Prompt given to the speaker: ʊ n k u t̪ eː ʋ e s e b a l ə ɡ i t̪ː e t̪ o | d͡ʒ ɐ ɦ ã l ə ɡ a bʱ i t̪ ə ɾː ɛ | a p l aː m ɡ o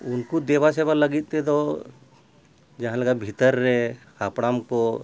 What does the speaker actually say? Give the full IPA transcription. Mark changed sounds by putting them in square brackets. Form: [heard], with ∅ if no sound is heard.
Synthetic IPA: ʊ n k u [d̪] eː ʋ [a] s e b a l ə ɡ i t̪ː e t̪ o | d͡ʒ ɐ ɦ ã l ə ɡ a bʱ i t̪ ə ɾː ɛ | a p [ɽ] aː m [k] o

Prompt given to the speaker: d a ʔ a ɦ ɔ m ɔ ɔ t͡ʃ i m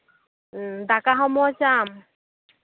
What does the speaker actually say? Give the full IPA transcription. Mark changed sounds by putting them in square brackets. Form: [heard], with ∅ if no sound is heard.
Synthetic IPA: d a [k] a ɦ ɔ m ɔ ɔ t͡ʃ [a] m

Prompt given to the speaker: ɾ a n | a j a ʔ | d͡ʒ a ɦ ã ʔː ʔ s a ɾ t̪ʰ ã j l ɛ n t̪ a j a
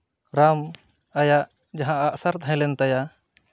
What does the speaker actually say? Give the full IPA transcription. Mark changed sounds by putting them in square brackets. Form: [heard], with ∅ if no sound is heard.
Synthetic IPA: ɾ a [m] | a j a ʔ | d͡ʒ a ɦ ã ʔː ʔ s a ɾ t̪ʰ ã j l ɛ n t̪ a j a

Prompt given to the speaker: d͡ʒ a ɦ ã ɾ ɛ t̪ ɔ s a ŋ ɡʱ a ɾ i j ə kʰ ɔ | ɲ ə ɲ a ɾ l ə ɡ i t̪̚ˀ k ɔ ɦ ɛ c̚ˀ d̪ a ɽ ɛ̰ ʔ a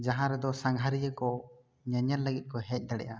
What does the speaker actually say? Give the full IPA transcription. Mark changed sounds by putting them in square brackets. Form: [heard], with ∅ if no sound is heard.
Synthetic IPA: d͡ʒ a ɦ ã ɾ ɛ [d̪] ɔ s a ŋ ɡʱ a ɾ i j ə [k] ɔ | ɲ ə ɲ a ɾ l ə ɡ i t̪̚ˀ k ɔ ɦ ɛ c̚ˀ d̪ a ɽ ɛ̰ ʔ a

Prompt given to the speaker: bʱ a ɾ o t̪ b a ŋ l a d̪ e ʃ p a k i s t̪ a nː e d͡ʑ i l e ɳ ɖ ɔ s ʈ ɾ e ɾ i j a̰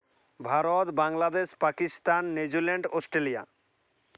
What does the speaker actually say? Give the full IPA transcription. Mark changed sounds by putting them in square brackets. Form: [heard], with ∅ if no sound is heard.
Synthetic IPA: bʱ a ɾ o t̪ b a ŋ l a d̪ e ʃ p a k i s t̪ a nː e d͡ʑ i l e ɳ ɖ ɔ s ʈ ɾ e [l] i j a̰

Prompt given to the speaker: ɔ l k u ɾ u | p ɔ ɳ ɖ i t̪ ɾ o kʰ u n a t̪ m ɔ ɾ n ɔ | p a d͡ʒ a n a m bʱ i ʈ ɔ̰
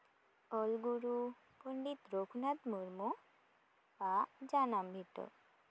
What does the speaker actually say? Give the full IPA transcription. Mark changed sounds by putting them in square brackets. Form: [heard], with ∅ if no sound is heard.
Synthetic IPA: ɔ l [ɡ] u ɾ u | p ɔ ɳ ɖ i t̪ ɾ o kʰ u n a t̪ m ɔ ɾ [m] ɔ | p a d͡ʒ a n a m bʱ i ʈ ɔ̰

